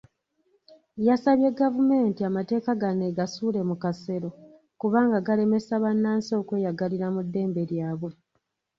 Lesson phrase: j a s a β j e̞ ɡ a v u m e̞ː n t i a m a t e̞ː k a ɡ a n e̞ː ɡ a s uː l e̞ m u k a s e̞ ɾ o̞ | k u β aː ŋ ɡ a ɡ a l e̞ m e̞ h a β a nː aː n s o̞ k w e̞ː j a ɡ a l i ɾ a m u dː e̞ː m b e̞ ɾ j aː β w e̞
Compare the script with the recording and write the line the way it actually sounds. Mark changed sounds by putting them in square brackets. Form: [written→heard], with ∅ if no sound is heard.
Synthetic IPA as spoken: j a s a β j e̞ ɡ a v u m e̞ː n t i a m a t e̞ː k a ɡ a n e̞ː ɡ a s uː l e̞ m u k a s e̞ ɾ o̞ | k u β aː ŋ ɡ a ɡ a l e̞ m e̞ [h→s] a β a nː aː n s o̞ k w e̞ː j a ɡ a l i ɾ a m u dː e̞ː m b e̞ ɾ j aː β w e̞